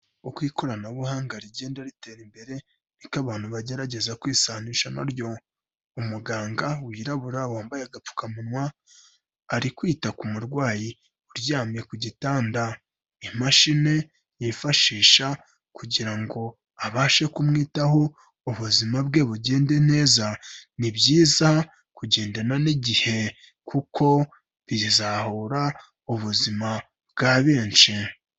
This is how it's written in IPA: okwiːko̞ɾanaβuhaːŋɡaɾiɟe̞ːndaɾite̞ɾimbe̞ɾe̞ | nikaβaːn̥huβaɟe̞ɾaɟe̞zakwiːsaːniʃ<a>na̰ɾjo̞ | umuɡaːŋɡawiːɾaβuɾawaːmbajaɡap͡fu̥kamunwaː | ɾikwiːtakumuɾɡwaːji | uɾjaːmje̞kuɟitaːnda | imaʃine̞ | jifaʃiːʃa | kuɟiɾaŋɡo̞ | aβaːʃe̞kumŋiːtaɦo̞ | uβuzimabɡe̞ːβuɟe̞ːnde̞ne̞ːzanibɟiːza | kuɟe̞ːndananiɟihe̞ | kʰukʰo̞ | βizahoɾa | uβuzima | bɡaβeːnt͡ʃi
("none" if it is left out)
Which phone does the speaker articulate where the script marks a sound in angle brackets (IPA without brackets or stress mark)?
a